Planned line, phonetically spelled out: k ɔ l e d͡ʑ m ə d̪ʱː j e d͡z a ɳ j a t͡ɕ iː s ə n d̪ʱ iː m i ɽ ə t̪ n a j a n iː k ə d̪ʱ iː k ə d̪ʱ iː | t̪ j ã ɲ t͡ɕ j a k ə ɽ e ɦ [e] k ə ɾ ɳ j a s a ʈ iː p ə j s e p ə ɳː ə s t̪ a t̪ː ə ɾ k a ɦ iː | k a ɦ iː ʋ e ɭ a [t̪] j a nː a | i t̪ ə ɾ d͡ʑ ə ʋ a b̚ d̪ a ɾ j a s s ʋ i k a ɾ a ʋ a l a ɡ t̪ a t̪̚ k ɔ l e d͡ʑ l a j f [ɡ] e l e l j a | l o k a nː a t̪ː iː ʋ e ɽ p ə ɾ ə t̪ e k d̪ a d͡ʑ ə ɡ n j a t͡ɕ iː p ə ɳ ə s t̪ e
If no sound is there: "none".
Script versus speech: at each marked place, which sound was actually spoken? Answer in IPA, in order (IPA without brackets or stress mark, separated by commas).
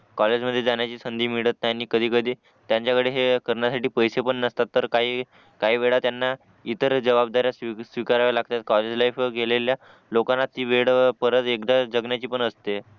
e, t̪, ɡ